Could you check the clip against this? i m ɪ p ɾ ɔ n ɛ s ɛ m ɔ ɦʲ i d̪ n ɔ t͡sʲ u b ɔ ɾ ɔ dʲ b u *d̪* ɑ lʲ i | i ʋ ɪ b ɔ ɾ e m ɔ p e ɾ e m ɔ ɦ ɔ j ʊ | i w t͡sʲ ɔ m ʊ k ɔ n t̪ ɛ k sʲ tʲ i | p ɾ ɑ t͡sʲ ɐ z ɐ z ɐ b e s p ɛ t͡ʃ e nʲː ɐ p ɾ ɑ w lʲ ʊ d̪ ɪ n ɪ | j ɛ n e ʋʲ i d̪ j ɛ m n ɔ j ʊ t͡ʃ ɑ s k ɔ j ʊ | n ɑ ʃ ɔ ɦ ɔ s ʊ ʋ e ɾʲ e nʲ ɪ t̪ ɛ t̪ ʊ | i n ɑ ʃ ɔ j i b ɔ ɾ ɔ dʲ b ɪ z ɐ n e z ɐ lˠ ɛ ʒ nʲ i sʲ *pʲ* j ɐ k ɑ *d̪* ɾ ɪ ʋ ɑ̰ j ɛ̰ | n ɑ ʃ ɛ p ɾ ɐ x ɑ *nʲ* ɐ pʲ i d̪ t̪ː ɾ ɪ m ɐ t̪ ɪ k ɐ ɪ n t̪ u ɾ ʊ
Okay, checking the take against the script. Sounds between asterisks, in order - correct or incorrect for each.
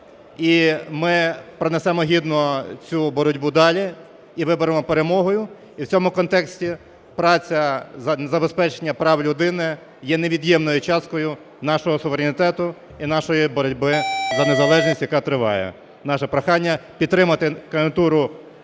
correct, incorrect, incorrect, incorrect

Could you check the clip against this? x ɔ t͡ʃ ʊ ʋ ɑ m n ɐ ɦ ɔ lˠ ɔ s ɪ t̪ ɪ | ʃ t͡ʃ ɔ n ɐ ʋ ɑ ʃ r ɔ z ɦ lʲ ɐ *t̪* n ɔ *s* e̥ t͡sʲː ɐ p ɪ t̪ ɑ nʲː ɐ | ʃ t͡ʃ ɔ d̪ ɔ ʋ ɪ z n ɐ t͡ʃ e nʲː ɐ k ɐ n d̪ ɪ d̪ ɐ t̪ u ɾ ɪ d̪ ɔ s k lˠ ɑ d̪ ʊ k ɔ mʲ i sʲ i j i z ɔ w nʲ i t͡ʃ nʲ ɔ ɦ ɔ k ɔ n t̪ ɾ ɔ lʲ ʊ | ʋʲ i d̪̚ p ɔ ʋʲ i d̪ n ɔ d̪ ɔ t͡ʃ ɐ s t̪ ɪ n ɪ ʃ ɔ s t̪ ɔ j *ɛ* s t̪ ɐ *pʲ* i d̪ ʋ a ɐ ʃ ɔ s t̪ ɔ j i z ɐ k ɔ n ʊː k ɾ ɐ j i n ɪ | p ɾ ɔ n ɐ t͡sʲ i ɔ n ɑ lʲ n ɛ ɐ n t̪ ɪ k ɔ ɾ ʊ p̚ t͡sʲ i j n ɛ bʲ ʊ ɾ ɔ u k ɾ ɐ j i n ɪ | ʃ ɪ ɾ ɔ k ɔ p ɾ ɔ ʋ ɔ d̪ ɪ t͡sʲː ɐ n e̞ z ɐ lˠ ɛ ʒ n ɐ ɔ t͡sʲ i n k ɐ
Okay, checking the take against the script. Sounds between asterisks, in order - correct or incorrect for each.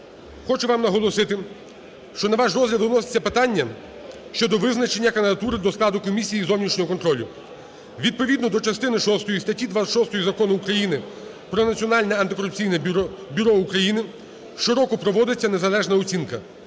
incorrect, correct, incorrect, incorrect

